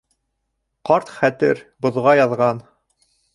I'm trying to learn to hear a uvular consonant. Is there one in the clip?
yes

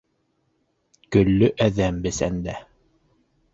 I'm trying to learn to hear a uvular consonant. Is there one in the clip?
no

